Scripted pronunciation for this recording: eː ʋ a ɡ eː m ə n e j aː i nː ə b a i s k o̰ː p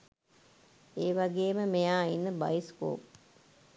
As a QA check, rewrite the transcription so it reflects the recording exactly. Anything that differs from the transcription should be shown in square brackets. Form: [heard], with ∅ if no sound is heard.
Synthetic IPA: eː ʋ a ɡ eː m ə [m] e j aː i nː ə b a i s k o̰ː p